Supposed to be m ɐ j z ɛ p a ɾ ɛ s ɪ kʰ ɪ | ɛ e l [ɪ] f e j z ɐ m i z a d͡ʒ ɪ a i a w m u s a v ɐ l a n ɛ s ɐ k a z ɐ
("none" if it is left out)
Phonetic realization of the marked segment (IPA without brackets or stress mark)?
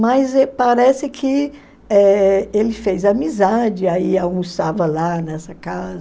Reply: ɪ